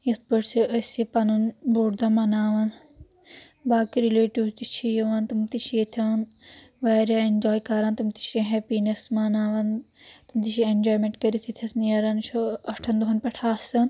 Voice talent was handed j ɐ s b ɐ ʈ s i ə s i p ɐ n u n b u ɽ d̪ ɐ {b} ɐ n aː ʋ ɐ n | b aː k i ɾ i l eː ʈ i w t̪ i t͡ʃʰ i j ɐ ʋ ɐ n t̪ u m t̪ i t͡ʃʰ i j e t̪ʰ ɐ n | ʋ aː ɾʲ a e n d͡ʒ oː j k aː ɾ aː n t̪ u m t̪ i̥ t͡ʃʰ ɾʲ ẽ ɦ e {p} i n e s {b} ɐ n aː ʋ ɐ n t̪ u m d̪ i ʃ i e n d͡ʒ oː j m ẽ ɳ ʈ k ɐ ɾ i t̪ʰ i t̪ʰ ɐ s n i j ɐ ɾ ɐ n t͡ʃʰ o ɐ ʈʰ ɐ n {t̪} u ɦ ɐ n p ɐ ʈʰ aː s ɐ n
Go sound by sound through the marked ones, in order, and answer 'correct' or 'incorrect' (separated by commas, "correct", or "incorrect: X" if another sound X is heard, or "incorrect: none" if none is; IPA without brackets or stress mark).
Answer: incorrect: m, correct, incorrect: m, incorrect: d̪